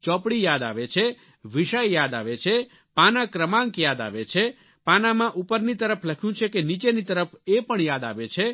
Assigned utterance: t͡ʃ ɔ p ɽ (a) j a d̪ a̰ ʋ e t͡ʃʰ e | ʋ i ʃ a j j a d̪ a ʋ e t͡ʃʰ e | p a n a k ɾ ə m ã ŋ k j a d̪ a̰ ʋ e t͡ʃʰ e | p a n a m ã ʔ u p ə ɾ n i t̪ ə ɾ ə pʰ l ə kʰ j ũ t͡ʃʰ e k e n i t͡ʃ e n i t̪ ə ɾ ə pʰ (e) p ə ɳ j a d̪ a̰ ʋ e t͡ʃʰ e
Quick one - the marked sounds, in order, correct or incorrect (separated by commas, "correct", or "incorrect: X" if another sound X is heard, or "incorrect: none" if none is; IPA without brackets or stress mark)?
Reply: incorrect: i, correct